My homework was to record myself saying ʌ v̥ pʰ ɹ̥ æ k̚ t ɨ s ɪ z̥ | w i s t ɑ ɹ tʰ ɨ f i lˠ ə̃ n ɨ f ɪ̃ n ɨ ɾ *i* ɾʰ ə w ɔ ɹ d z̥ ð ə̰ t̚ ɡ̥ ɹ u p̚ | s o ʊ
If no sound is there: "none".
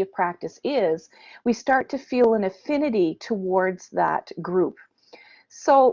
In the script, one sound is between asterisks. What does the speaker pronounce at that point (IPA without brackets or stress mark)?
i